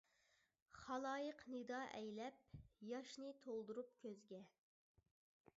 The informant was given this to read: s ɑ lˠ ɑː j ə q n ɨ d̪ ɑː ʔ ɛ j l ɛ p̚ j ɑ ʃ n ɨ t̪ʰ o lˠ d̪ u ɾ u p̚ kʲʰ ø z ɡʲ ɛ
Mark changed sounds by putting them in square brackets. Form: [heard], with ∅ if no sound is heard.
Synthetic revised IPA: [χ] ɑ lˠ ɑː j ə q n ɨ d̪ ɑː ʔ ɛ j l ɛ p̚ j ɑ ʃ n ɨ t̪ʰ o lˠ d̪ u ɾ u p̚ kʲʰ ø z ɡʲ ɛ